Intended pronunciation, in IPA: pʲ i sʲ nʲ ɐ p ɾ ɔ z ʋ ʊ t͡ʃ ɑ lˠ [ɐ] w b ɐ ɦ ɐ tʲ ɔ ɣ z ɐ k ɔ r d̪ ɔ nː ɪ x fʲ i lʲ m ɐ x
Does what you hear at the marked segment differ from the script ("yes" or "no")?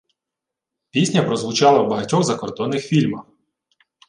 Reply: no